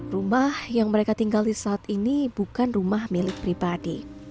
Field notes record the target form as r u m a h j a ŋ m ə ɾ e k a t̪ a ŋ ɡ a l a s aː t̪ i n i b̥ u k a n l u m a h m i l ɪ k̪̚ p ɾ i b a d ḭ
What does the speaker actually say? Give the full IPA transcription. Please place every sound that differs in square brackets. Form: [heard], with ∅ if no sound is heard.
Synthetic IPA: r u m a h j a ŋ m ə ɾ e k a t̪ [i] ŋ ɡ a l [i] s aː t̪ i n i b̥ u k a n [r] u m a h m i l ɪ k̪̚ p ɾ i b a d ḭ